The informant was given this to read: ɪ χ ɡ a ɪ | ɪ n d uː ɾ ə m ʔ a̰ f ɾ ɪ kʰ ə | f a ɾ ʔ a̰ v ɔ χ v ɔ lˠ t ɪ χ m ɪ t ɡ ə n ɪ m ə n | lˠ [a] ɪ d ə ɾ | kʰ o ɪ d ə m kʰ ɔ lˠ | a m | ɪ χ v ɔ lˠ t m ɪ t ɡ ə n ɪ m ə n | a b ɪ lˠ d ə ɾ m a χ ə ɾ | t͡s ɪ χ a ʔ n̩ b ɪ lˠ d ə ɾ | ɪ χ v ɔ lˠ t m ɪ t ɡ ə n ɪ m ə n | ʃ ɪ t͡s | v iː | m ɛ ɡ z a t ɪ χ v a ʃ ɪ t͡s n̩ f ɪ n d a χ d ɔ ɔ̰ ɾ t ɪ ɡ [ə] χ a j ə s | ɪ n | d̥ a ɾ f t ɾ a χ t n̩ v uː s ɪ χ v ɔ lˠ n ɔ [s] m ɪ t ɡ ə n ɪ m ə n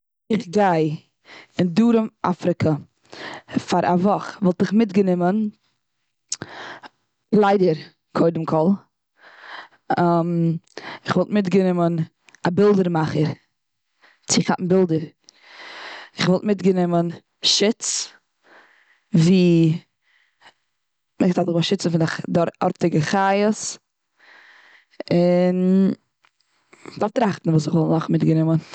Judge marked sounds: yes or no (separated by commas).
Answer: yes, yes, no